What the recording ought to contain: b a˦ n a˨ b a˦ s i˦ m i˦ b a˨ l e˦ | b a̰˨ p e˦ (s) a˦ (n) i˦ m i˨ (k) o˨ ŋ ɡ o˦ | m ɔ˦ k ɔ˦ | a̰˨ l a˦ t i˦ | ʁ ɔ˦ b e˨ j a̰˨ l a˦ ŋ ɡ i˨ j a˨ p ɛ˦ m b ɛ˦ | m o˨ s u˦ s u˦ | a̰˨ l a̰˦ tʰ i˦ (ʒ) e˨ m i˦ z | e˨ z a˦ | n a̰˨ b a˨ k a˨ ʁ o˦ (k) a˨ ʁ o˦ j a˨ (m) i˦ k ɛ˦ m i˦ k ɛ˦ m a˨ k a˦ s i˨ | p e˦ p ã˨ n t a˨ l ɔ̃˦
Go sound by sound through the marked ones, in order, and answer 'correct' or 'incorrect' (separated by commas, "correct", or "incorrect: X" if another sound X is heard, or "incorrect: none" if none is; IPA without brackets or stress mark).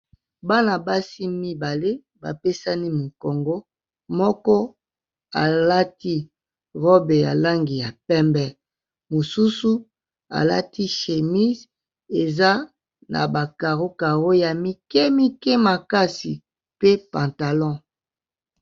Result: correct, correct, correct, incorrect: ʃ, correct, correct